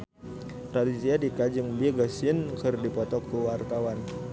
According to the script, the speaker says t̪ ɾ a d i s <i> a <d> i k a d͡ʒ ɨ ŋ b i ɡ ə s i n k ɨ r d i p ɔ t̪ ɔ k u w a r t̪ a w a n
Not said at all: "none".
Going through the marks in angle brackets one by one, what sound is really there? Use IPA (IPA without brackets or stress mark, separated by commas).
i, d